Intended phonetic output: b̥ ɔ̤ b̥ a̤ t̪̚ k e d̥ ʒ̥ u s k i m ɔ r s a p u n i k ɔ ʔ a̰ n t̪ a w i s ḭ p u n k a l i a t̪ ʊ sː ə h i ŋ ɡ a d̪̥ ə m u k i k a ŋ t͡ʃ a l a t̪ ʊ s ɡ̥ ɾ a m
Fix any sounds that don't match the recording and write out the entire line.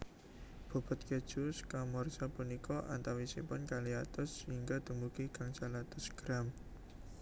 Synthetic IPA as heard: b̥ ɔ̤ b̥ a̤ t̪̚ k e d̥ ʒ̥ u s k a m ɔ r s a p u n i k ɔ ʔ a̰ n t̪ a w i s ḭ p ʊ n k a l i a t̪ ʊ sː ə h i ŋ ɡ a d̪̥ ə m u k i k a ŋ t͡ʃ a l a t̪ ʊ s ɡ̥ ɾ a m